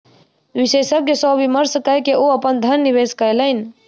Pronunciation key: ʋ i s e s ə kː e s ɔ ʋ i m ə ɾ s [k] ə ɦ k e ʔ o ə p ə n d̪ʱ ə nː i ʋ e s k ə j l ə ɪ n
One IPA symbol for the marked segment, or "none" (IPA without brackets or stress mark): k